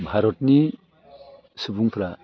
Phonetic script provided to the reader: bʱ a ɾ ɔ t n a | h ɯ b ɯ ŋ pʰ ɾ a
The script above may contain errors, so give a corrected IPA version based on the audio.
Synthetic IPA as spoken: bʱ a ɾ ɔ t n i | s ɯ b u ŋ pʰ ɾ a

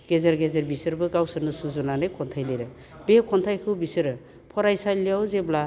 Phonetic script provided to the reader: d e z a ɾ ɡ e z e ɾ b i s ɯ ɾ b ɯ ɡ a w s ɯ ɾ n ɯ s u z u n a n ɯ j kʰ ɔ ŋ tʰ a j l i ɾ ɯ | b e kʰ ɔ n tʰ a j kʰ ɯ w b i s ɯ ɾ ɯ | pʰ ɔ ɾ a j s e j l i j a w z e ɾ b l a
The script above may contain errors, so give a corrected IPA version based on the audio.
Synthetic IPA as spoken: ɡ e z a ɾ ɡ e z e ɾ b i s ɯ ɾ b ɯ ɡ a w s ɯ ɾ n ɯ s u z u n a n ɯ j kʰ ɔ n tʰ a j l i ɾ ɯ | b e kʰ ɔ n tʰ a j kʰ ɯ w b i s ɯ ɾ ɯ | pʰ ɔ ɾ a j s a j l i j a w z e b l a

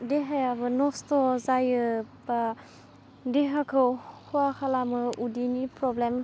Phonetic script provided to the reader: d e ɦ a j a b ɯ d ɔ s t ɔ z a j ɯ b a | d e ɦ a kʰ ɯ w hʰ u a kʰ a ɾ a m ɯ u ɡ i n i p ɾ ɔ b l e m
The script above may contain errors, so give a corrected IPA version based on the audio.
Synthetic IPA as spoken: d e ɦ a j a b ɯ n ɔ s t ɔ z a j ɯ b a | d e ɦ a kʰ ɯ w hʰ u a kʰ a l a m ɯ u d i n i p ɾ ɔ b l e m

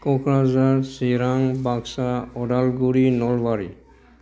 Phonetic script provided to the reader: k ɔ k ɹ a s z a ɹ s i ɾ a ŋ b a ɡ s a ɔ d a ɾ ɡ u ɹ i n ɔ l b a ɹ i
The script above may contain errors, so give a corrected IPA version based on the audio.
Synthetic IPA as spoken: k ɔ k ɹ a z a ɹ s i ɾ a ŋ b a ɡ s a ɔ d a l ɡ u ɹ i n ɔ l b a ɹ i

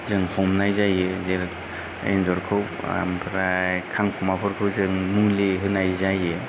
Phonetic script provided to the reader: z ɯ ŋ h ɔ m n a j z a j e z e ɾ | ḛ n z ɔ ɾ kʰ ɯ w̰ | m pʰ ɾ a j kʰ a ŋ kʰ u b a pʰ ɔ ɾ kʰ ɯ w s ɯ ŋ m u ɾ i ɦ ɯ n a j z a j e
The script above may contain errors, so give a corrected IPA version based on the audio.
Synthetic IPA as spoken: z ɯ ŋ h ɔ m n a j z a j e z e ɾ | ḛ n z ɔ ɾ kʰ ɯ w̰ | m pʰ ɾ a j kʰ a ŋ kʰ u m a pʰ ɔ ɾ kʰ ɯ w z ɯ ŋ m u l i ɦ ɯ n a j z a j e

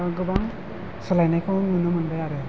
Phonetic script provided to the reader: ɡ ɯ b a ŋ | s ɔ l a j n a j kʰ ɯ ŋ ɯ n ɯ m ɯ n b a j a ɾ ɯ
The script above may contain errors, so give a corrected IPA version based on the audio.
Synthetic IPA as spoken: ɡ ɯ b a ŋ | s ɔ l a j n a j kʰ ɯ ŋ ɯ n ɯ m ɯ n b a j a ɾ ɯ

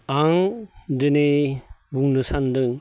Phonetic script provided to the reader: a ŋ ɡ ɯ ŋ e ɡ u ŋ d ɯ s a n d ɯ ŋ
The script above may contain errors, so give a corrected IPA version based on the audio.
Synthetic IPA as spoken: a ŋ d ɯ n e b u ŋ n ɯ s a n d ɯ ŋ

